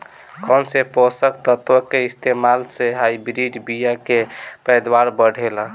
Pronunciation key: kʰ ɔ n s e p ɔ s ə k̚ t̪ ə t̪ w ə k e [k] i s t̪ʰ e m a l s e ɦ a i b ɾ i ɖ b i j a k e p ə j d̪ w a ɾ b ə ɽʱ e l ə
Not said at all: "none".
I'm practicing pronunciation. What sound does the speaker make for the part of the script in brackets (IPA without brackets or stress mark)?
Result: none